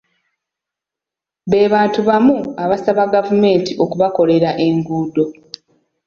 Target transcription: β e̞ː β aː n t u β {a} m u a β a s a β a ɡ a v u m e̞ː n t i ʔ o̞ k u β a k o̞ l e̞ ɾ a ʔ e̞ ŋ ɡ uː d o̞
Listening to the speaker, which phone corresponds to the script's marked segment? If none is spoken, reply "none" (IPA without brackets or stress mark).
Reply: a